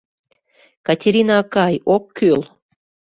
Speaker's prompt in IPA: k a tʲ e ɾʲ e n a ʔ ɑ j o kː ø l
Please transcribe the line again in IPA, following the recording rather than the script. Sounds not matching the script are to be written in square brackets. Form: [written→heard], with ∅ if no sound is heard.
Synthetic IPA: k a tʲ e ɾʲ [e→i] n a [ʔ→k] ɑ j o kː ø l

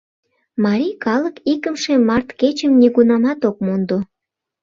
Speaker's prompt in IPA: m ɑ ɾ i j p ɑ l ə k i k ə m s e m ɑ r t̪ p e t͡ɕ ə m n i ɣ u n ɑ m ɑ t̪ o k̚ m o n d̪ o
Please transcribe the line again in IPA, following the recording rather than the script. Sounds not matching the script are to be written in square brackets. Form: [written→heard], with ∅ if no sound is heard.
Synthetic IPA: m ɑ ɾ i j [p→k] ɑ l ə k i k ə m [s→ʃ] e m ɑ r t̪ [p→k] e t͡ɕ ə m n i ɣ u n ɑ m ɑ t̪ o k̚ m o n d̪ o

